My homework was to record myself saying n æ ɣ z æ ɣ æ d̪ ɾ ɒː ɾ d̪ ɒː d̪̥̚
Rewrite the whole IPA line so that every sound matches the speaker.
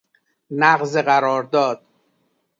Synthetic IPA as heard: n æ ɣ z e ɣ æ ɾ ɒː ɾ d̪ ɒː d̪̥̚